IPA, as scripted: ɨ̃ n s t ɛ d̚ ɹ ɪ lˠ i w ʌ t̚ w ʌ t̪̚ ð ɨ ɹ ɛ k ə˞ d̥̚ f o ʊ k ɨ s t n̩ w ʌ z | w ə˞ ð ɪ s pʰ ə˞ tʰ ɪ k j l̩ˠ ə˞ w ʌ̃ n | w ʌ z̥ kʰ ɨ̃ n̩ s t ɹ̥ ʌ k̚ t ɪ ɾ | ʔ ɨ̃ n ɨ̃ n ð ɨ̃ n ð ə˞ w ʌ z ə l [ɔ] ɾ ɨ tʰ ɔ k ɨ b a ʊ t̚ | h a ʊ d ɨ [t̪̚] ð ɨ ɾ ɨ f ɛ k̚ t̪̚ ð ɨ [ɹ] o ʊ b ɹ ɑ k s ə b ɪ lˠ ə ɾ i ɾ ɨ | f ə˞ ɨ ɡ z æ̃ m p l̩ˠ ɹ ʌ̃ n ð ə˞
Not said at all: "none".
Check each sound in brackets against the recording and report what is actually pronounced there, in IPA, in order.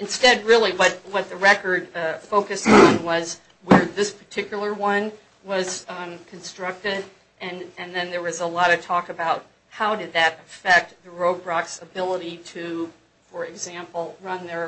ɔ, d̪̚, ɹ

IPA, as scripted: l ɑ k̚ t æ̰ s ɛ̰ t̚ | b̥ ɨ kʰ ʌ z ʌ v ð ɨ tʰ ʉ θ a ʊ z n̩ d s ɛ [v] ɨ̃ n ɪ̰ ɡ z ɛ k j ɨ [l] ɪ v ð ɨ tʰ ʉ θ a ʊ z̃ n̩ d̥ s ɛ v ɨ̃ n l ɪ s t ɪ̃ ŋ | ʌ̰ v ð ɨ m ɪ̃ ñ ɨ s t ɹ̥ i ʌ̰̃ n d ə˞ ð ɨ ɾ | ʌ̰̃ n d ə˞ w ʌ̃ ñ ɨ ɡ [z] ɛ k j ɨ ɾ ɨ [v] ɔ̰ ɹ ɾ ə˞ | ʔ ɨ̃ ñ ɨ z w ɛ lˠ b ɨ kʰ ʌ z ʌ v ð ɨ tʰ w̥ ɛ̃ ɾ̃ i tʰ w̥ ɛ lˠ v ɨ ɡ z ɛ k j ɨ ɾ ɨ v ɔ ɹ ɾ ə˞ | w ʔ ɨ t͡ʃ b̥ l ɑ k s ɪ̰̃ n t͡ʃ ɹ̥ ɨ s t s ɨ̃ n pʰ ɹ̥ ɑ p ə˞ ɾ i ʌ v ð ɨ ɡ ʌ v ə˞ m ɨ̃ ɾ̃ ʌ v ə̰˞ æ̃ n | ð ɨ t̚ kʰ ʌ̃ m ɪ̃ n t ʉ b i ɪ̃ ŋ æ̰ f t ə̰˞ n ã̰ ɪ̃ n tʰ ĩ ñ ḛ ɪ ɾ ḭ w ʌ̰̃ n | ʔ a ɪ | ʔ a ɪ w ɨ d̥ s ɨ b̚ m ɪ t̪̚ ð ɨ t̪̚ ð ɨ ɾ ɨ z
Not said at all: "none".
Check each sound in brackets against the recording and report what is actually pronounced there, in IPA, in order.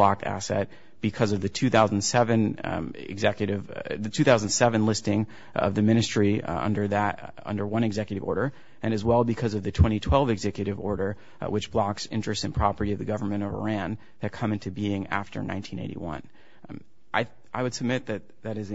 v, ɾ, z, v

